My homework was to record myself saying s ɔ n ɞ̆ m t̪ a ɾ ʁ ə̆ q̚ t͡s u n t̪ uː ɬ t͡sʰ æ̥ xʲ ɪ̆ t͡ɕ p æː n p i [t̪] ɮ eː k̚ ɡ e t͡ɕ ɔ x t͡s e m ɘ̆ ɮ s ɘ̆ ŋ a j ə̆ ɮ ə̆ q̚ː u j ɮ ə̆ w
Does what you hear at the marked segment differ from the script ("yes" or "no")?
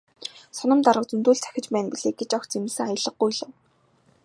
yes